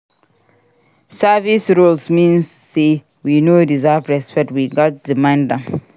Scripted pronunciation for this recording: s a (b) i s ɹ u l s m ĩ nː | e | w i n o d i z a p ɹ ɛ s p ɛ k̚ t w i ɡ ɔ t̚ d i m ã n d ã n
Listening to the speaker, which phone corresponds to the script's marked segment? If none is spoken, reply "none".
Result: v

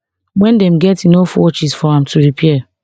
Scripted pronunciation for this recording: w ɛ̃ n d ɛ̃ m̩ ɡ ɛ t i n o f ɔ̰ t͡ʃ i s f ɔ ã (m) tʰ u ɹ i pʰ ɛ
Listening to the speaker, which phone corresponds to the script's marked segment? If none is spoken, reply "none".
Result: m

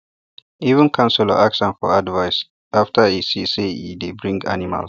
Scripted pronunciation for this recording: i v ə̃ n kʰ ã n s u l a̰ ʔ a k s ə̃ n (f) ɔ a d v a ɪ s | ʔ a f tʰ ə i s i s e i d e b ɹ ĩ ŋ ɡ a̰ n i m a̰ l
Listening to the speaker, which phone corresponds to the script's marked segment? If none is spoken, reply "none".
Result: f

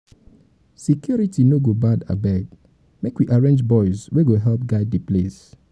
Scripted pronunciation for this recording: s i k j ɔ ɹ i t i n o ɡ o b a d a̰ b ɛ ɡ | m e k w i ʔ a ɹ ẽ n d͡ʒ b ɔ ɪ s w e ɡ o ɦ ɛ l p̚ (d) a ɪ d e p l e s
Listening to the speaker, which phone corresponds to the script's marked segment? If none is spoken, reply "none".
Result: ɡ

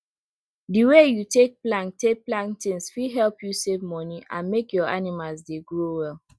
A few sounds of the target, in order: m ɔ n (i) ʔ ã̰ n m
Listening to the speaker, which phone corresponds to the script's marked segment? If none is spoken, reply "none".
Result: i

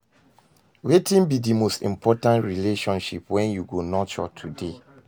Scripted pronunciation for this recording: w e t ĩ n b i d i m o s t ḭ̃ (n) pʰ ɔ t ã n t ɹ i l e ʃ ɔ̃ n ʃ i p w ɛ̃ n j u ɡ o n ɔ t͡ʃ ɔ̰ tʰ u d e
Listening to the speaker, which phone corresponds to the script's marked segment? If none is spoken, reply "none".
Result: m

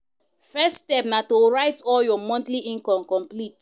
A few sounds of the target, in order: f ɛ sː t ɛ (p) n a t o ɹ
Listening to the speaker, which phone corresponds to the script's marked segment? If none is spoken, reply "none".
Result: p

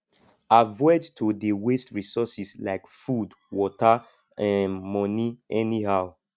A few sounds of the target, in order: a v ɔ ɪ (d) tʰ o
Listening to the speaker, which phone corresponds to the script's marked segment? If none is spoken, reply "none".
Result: d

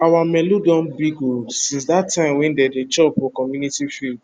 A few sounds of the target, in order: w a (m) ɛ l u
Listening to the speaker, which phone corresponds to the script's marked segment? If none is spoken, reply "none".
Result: m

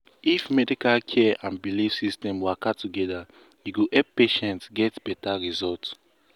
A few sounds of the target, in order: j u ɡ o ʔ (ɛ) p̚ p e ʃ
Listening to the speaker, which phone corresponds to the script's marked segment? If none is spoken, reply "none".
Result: ɛ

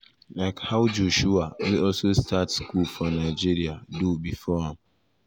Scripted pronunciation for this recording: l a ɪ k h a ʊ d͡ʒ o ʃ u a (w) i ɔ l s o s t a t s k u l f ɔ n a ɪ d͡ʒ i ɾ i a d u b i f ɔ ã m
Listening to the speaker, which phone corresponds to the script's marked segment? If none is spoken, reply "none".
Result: w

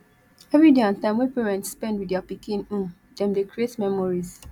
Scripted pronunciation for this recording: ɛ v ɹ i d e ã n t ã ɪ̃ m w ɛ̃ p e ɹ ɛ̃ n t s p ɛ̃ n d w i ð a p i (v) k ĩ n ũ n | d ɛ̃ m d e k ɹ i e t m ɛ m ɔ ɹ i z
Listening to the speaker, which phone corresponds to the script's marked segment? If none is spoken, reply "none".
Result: none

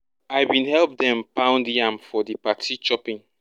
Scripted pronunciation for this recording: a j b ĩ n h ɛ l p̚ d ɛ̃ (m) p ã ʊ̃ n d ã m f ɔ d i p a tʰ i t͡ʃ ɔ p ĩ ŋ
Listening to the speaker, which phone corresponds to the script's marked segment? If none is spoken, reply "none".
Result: m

